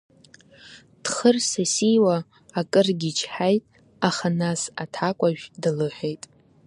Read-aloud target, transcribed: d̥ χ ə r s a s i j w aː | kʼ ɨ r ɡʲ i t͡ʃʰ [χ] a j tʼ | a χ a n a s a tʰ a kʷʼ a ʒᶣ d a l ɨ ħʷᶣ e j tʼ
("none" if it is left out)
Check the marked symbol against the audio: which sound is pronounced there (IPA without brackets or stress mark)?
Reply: ħ